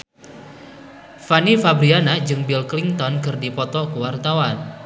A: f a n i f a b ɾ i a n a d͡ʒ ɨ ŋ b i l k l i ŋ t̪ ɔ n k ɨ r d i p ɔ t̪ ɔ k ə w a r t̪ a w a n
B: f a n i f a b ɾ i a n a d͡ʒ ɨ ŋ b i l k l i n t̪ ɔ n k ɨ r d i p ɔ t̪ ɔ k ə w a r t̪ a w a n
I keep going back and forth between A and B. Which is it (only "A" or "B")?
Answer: A